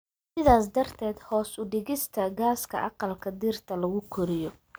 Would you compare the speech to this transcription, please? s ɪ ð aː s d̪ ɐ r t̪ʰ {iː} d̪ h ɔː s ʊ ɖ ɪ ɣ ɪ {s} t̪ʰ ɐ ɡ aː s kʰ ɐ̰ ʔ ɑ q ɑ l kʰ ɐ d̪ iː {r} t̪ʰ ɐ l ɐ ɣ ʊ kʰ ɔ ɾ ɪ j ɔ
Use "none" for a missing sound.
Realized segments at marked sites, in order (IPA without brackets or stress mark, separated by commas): ɛː, s, r